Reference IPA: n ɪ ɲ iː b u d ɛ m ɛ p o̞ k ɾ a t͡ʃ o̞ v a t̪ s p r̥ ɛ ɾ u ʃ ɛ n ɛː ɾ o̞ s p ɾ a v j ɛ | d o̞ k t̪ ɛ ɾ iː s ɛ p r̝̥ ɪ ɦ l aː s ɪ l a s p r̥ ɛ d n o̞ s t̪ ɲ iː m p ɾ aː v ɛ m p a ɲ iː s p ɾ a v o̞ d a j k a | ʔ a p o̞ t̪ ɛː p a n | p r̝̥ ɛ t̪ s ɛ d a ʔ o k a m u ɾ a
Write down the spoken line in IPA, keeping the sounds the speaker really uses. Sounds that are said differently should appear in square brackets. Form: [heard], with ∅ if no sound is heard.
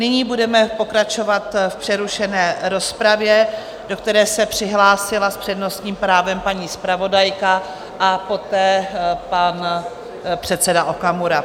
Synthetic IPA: n ɪ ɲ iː b u d ɛ m ɛ p o̞ k ɾ a t͡ʃ o̞ v a t̪ [f] p r̥ ɛ ɾ u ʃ ɛ n ɛː ɾ o̞ s p ɾ a v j ɛ | d o̞ k t̪ ɛ ɾ [ɛː] s ɛ p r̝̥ ɪ ɦ l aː s ɪ l a s p r̥ ɛ d n o̞ s t̪ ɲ iː m p ɾ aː v ɛ m p a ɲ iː s p ɾ a v o̞ d a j k a | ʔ a p o̞ t̪ ɛː p a n | p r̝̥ ɛ t̪ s ɛ d a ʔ o k a m u ɾ a